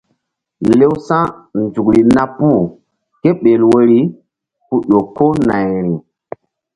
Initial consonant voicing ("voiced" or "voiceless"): voiced